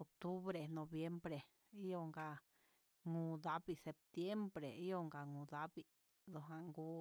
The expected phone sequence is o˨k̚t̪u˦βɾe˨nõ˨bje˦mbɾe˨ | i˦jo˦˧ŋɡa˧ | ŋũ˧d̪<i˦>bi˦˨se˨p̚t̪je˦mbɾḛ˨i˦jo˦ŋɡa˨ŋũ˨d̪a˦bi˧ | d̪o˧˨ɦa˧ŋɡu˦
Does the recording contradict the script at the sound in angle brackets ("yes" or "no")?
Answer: yes